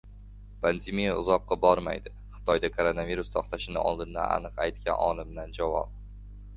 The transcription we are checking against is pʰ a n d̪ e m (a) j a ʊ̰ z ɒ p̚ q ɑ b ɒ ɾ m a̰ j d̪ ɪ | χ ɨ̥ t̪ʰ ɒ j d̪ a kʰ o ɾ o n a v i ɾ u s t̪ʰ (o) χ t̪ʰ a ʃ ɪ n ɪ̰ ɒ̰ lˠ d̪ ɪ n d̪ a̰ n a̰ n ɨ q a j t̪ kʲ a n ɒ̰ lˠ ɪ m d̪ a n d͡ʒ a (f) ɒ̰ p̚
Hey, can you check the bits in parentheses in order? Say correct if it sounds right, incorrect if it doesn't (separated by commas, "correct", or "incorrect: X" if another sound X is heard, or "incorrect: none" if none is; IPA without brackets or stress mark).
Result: incorrect: i, incorrect: ɒ, incorrect: v